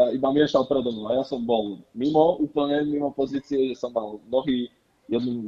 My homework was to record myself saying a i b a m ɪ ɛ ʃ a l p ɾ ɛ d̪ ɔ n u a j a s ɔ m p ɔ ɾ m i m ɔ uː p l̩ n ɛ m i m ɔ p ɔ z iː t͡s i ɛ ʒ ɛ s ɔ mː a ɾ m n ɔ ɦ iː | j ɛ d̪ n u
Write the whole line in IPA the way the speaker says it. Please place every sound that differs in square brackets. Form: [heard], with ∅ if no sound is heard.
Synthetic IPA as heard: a i b a m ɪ ɛ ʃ a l p ɾ ɛ d̪ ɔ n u a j a s ɔ m [b] ɔ [l] m i m ɔ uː p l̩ [ɲ] ɛ m i m ɔ p ɔ z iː t͡s i ɛ ʒ ɛ s ɔ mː a [l] m n ɔ ɦ iː | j ɛ d̪ n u